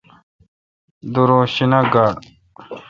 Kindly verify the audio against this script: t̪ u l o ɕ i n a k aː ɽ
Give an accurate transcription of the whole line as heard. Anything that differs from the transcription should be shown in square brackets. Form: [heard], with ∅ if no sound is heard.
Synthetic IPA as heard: [d̪] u [ɾ] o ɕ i n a [ɡ] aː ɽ